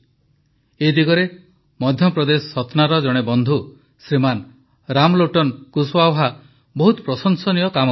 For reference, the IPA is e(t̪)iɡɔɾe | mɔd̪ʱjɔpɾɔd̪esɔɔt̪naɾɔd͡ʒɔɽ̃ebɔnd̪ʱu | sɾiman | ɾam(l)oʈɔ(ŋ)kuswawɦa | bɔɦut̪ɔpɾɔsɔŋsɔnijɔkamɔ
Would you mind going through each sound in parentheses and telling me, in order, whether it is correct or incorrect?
incorrect: d̪, correct, incorrect: n

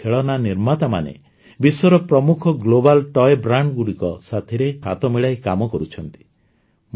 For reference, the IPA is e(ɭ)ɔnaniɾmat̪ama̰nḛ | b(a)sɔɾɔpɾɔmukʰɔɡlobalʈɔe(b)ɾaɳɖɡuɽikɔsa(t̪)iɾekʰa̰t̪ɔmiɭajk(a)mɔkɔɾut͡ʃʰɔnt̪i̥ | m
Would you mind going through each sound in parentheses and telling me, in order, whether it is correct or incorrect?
correct, incorrect: i, correct, incorrect: t̪ʰ, correct

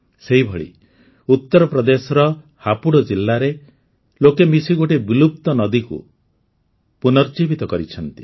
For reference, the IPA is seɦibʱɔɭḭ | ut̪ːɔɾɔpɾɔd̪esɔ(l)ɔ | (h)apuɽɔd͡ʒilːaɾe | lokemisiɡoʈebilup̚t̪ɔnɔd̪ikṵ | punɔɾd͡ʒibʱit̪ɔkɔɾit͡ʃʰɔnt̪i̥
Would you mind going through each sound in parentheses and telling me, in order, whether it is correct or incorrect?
incorrect: ɾ, correct

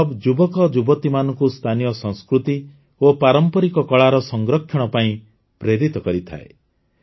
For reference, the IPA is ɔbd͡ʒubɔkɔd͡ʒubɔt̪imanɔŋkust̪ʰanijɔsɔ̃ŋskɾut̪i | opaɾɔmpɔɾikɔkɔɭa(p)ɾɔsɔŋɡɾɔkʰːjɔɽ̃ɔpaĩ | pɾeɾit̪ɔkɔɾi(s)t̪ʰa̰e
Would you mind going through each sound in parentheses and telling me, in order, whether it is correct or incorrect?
incorrect: none, incorrect: none

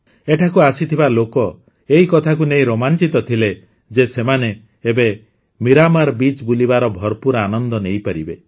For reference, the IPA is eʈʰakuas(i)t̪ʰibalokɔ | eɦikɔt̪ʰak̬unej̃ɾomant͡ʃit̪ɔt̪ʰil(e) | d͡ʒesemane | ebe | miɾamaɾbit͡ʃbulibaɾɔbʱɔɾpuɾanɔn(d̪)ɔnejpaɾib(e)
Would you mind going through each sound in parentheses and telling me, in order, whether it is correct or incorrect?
correct, correct, correct, correct

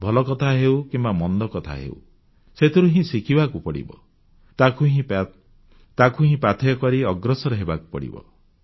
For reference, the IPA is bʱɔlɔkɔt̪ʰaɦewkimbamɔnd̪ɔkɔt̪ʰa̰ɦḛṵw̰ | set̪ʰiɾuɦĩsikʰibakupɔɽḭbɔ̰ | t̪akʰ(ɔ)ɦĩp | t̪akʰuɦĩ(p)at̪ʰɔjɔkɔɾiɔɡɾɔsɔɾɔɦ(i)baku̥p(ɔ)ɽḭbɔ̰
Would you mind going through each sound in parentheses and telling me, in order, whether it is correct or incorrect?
incorrect: u, correct, incorrect: e, correct

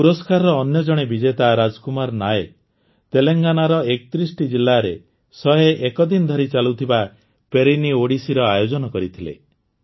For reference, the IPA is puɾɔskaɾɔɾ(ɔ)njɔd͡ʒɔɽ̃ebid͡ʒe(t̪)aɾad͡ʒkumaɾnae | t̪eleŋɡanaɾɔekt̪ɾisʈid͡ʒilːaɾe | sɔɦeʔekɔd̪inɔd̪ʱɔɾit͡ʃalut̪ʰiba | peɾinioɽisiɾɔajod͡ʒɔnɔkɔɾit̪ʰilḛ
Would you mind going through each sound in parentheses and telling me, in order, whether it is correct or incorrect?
incorrect: ɔː, correct

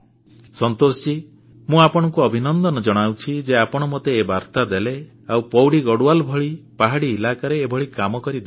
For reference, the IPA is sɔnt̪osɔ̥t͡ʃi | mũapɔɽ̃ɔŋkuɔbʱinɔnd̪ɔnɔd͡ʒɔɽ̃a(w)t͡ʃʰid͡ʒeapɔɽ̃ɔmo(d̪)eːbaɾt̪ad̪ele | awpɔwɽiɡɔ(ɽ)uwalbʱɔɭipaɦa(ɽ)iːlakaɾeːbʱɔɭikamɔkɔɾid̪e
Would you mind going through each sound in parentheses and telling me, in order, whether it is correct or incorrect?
correct, incorrect: t̪, correct, correct

